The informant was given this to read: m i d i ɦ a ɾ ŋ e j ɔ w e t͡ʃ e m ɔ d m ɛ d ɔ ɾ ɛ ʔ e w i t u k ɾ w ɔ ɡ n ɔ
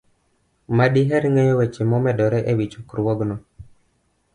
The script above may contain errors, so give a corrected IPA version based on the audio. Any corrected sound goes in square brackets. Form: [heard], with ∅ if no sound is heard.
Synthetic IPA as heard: m [a] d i ɦ [ɛ] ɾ ŋ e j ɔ w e t͡ʃ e m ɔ [∅] m ɛ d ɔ ɾ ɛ ʔ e w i [t͡ʃ] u k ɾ w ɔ ɡ n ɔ